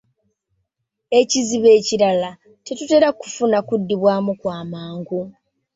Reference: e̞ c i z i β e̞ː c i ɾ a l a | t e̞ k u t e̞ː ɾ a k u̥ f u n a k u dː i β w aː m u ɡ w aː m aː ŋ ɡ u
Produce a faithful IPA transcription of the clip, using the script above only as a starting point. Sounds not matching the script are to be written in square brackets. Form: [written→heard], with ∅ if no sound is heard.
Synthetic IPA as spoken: e̞ c i z i β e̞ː c i ɾ a l a | t e̞ [k→t] u t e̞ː ɾ a k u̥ f u n a k u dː i β w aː m u [ɡ→k] w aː m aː ŋ ɡ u

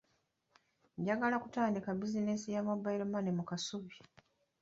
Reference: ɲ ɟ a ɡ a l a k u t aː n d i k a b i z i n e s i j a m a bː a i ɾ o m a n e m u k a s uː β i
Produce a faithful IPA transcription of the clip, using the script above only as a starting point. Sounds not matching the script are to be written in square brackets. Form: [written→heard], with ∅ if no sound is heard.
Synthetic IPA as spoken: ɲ ɟ a ɡ a l a k u t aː n d i k a b i z i n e s i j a m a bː a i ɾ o m a n e m u k a s [uː→u] β i

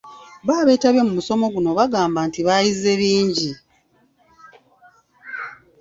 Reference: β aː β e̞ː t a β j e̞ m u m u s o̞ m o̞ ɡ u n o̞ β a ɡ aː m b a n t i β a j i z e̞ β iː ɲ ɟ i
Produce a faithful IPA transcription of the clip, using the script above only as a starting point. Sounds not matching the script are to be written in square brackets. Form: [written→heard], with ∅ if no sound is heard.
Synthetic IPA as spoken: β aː β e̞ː t a β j e̞ m u m u s o̞ m o̞ ɡ u n o̞ β a ɡ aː m b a n t i β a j i z e̞ β iː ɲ ɟ i

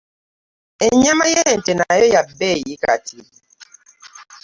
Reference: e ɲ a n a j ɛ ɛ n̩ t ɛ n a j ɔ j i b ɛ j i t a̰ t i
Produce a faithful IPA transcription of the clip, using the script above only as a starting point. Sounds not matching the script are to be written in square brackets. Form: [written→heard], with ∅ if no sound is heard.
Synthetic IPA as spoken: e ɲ a [n→m] a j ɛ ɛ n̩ t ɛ n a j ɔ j [i→a] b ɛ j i [t→k] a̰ t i

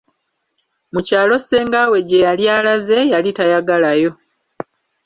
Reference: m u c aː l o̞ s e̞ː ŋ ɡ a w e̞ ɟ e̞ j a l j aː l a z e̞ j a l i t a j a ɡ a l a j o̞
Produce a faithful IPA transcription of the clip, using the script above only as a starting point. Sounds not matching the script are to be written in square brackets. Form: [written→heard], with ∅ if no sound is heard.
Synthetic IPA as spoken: m u c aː l o̞ s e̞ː ŋ ɡ a w e̞ ɟ e̞ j a l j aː l a z e̞ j a l i t a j a ɡ a l a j o̞

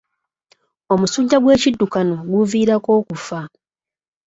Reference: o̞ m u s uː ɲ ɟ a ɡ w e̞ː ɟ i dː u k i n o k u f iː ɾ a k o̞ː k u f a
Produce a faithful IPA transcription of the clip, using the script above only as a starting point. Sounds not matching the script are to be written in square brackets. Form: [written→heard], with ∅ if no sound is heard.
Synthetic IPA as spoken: o̞ m u s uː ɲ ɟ a ɡ w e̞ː [ɟ→c] i dː u k [i→a] n o [k→ɡ] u [f→v] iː ɾ a k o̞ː k u f a

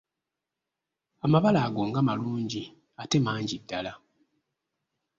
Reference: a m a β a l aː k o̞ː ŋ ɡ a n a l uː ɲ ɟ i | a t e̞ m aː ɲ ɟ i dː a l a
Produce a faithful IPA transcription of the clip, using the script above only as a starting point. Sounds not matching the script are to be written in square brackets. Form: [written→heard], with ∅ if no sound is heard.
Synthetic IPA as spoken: a m a β a l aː [k→ɡ] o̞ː ŋ ɡ a [n→m] a l uː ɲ ɟ i | a t e̞ m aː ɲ ɟ i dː a l a

